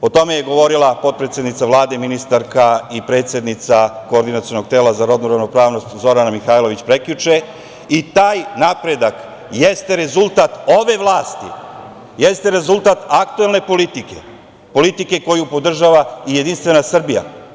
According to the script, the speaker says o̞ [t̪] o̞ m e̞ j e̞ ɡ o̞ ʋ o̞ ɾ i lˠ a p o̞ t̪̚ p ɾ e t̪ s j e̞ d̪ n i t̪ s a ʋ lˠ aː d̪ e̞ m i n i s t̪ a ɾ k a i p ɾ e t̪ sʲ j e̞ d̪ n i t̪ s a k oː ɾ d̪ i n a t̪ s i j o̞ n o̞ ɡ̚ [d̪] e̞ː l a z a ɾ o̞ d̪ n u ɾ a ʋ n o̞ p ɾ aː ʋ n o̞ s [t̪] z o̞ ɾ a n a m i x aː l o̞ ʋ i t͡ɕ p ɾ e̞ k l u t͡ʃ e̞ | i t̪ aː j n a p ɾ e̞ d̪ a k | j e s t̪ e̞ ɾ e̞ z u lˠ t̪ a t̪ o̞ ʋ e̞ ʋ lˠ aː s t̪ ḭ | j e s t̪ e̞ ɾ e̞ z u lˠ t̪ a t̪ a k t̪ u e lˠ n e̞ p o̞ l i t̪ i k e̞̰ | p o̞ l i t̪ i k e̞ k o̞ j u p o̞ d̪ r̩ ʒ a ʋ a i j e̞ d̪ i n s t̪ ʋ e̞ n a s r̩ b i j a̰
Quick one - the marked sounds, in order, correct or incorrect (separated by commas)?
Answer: correct, incorrect, correct